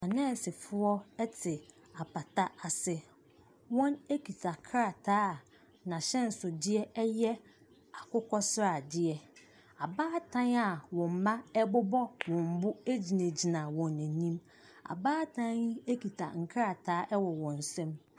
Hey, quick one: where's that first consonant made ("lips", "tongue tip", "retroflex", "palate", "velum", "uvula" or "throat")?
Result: tongue tip